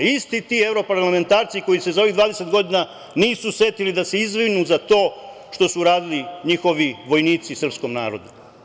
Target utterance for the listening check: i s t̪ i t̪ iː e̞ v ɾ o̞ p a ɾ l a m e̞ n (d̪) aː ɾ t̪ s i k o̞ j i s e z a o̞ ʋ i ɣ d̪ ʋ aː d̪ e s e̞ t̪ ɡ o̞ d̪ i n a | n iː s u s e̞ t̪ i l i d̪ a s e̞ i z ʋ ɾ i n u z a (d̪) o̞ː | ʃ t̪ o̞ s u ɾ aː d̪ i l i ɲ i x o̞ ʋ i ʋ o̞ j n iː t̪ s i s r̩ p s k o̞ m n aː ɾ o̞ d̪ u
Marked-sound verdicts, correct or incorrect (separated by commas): incorrect, incorrect